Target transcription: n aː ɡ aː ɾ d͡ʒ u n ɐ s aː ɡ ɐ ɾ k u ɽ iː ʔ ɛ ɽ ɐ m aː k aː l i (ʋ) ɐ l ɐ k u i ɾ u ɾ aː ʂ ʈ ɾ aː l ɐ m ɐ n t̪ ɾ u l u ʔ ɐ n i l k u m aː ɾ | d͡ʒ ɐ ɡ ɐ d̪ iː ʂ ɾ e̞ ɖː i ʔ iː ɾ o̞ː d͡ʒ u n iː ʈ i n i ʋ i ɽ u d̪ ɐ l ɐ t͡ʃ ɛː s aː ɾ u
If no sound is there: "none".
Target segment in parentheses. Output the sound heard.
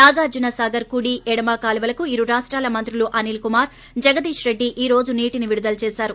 ʋ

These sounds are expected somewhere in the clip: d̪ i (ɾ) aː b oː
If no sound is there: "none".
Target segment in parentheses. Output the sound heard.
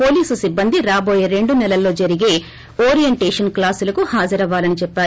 ɾ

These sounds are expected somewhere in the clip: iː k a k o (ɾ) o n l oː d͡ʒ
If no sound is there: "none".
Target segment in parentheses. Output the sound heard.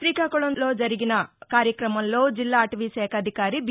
ɭ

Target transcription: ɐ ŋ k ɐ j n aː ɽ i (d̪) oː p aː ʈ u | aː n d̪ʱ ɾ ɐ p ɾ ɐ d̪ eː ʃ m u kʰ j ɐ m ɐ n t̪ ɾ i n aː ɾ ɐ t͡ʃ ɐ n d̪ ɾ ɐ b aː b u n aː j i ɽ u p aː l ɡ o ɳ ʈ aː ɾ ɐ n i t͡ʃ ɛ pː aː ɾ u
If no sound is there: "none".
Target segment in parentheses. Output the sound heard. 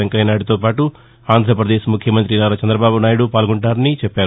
t̪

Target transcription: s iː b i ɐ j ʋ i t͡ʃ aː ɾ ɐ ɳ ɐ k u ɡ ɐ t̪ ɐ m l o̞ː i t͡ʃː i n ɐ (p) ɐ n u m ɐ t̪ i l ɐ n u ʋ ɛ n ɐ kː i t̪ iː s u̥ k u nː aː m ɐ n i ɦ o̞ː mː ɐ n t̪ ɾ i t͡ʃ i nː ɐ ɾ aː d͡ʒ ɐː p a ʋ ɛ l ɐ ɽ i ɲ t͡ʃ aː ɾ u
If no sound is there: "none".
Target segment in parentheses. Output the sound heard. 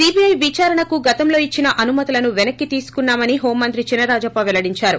ʔ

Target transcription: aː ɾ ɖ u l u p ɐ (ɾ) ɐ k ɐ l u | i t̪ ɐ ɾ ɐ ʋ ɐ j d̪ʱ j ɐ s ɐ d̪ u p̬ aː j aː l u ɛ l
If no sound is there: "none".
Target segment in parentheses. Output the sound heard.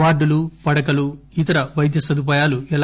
ɽ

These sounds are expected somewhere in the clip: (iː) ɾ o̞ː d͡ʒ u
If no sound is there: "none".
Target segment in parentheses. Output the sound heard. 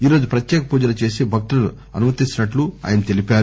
iː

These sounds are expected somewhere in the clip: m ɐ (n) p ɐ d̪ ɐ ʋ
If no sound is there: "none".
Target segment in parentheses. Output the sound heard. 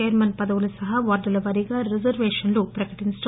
n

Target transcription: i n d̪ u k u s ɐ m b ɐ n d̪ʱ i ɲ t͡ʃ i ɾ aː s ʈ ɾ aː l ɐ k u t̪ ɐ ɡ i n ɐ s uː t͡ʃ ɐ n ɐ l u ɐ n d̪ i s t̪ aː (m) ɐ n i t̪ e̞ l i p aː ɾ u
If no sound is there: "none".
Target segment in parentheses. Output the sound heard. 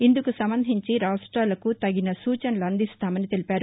m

